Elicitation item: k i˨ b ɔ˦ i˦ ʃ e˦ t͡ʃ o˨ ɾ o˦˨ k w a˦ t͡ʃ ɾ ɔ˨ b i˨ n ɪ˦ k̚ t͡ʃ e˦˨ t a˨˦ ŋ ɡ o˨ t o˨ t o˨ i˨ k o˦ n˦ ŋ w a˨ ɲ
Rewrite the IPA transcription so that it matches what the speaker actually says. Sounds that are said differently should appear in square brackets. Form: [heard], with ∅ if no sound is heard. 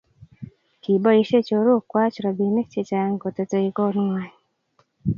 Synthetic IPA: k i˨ b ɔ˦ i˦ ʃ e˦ t͡ʃ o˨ ɾ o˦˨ k w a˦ t͡ʃ ɾ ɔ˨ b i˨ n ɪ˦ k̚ t͡ʃ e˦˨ [t͡ʃ] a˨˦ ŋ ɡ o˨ t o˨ t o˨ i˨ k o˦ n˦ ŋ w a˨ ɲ